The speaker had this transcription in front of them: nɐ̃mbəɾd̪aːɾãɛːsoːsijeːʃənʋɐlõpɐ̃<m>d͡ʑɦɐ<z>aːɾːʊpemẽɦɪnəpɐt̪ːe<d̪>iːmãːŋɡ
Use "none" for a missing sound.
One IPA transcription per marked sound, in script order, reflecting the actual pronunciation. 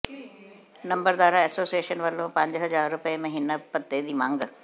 ɲ, z, d̪

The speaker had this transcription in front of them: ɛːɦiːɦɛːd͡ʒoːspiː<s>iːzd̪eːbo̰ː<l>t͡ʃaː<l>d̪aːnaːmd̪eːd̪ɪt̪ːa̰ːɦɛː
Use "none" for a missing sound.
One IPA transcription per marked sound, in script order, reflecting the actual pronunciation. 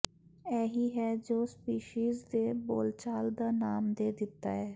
ʃ, l, l

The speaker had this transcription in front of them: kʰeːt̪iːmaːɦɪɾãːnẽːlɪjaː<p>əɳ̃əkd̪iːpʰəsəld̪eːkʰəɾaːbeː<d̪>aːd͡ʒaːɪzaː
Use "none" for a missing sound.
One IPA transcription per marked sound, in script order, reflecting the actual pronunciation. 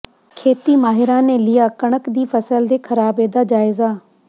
k, d̪

